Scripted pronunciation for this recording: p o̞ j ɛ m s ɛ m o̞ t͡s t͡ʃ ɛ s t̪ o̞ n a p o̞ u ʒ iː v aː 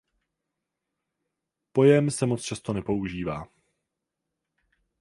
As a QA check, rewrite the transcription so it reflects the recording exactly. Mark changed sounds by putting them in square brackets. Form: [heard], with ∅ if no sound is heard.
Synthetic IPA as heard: p o̞ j ɛ m s ɛ m o̞ t͡s t͡ʃ [a] s t̪ o̞ n [ɛ] p o̞ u ʒ iː v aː